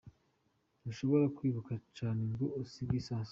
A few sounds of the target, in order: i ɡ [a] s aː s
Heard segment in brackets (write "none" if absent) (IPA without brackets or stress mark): i